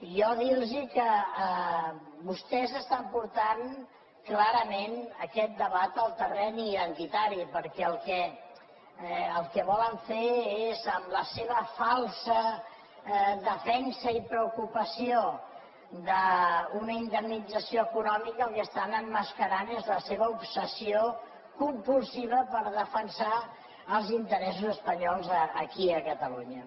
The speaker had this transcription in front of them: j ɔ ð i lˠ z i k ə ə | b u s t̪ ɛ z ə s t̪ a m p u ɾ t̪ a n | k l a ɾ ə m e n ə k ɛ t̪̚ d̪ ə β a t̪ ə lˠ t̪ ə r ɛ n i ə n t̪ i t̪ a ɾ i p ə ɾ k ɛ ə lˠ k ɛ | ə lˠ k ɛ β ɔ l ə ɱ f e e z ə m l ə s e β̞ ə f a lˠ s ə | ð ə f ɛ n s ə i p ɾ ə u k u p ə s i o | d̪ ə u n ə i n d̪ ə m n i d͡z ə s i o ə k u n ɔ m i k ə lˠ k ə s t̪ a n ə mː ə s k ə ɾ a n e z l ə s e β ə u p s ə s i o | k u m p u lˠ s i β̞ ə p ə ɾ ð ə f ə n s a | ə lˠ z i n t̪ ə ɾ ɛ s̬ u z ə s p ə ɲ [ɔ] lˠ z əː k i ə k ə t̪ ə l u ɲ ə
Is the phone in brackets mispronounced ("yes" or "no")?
no